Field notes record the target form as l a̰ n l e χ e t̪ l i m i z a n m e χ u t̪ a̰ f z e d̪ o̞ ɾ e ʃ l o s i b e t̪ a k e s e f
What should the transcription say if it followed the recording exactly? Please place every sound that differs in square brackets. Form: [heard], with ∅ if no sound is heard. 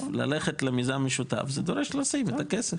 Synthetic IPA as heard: l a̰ [∅] l e χ e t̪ l [e] m i z a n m e [ʃ] u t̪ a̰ f z e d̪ o̞ ɾ e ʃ l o s i [m] e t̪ a k e s e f